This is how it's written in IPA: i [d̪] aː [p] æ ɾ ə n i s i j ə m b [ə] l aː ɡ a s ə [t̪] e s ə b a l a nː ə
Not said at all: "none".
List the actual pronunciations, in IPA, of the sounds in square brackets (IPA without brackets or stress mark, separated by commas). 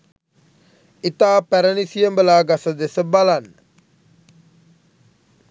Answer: t̪, p, ə, d̪